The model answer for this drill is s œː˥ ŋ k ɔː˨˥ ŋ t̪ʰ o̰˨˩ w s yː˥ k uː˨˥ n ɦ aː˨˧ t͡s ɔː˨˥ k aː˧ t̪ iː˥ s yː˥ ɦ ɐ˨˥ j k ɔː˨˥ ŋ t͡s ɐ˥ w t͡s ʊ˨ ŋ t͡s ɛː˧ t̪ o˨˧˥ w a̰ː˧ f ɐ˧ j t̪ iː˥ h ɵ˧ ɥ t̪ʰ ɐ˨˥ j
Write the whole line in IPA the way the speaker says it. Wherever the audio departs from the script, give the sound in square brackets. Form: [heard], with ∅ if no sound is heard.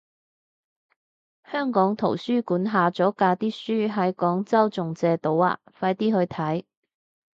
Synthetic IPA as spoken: [h] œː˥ ŋ k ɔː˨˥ ŋ t̪ʰ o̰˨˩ w s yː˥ k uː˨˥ n ɦ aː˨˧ t͡s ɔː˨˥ k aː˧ t̪ iː˥ s yː˥ ɦ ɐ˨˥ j k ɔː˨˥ ŋ t͡s ɐ˥ w t͡s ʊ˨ ŋ t͡s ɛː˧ t̪ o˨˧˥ w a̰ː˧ f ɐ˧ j t̪ iː˥ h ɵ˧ ɥ t̪ʰ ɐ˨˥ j